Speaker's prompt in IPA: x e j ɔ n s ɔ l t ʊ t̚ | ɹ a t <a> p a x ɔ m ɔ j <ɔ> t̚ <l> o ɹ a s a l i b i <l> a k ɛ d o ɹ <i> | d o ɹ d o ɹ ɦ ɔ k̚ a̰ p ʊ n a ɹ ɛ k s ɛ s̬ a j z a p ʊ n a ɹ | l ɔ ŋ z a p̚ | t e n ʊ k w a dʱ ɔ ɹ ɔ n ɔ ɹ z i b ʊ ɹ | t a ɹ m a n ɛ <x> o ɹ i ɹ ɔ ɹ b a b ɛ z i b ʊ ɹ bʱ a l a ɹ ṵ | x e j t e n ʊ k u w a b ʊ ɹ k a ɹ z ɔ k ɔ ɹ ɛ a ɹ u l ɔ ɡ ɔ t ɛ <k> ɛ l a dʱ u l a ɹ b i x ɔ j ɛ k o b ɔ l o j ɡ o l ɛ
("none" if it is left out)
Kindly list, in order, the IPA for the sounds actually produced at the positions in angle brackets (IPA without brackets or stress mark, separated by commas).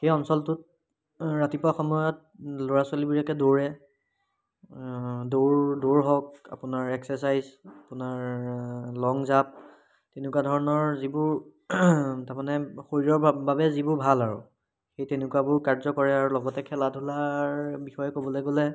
i, ɔ, l, ɹ, ɛ, x, kʰ